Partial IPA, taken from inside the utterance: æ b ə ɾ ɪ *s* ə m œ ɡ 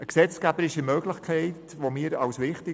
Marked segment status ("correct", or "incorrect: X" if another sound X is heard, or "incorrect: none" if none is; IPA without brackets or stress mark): incorrect: ʃ